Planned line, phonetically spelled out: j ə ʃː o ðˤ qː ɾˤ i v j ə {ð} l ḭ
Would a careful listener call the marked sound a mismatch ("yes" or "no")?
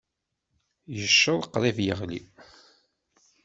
yes